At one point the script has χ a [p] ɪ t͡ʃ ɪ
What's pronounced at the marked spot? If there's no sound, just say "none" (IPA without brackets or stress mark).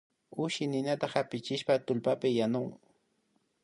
p